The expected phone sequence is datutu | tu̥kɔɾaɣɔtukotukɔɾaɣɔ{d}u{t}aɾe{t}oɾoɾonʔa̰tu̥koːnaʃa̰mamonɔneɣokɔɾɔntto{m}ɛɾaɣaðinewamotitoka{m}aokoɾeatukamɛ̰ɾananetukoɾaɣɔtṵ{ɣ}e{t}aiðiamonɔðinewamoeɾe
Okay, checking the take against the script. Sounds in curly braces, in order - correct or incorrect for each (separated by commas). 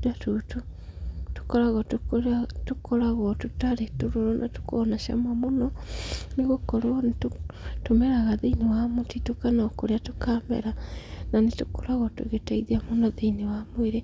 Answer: incorrect, correct, correct, correct, incorrect, correct, correct